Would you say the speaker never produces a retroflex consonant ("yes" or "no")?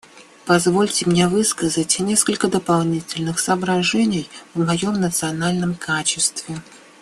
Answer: no